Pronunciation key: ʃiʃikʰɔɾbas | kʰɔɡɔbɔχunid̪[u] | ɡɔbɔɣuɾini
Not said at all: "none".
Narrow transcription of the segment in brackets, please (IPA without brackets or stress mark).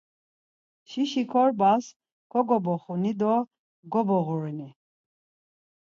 ɔ